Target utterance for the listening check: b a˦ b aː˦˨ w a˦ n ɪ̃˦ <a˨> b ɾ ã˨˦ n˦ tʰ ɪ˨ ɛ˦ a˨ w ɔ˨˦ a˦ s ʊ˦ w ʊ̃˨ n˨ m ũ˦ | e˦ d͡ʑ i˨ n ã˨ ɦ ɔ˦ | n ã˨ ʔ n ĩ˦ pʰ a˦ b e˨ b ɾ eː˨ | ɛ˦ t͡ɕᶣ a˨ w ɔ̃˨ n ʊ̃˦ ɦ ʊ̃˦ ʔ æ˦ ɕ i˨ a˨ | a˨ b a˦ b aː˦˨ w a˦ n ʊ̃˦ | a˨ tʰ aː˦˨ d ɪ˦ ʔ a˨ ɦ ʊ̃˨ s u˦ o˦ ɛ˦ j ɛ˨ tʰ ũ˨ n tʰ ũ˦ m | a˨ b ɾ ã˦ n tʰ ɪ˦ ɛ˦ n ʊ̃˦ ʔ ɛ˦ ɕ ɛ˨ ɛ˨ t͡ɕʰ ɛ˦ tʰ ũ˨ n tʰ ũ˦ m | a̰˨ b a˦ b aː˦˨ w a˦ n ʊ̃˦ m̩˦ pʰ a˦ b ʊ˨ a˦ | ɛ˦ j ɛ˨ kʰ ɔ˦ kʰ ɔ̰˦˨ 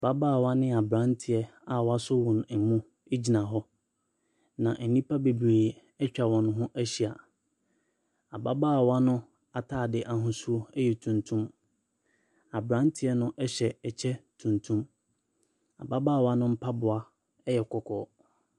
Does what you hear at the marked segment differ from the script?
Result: no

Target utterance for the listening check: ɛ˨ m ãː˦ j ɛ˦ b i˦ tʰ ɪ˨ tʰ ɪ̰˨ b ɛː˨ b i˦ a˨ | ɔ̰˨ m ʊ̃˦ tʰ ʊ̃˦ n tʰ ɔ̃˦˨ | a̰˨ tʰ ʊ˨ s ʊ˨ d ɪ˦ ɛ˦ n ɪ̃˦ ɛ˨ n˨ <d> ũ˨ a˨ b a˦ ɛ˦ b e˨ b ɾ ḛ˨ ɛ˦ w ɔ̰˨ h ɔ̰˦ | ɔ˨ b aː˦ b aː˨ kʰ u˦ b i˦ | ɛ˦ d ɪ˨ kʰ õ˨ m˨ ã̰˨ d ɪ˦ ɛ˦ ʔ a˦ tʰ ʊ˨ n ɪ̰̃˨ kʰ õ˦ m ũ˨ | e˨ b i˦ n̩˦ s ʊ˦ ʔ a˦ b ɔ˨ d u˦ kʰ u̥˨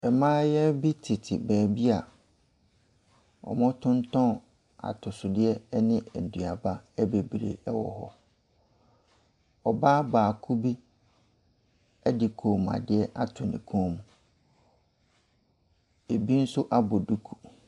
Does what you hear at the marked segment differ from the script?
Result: no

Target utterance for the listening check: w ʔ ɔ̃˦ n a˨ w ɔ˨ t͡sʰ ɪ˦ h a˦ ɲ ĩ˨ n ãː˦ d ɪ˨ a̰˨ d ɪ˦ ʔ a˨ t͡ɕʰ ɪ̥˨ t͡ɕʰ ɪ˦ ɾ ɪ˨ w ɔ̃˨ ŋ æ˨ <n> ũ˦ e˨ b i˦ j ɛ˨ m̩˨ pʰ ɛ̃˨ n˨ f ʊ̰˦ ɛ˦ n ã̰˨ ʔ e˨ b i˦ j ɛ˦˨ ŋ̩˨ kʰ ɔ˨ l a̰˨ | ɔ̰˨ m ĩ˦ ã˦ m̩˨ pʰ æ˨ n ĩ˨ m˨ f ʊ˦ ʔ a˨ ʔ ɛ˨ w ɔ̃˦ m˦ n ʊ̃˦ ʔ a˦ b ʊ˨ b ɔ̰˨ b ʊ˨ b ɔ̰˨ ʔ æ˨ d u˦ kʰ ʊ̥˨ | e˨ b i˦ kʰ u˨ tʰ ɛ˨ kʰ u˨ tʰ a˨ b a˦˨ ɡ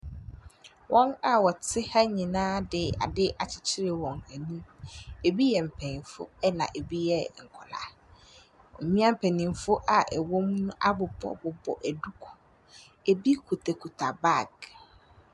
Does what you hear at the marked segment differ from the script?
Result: no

